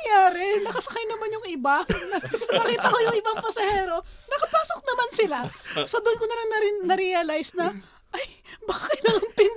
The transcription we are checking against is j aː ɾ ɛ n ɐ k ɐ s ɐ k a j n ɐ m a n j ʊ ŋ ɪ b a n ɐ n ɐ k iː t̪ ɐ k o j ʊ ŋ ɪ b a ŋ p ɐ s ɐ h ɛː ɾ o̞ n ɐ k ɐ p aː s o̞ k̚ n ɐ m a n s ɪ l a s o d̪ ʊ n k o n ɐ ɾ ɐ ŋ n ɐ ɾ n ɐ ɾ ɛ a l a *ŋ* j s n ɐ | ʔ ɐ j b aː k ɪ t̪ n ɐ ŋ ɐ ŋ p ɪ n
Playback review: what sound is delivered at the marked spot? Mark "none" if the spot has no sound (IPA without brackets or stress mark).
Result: none